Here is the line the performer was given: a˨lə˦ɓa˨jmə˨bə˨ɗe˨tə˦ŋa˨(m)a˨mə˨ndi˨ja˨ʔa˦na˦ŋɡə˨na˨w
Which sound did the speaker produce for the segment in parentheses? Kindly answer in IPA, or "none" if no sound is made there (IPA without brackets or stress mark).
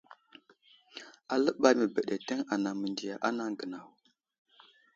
n